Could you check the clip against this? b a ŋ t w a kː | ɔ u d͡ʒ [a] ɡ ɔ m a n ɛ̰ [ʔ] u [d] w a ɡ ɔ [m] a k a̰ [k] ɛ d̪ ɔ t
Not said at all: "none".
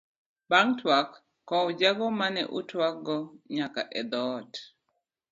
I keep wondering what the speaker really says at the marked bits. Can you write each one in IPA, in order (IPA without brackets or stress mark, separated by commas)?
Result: a, ʔ, t, ɲ, ʔ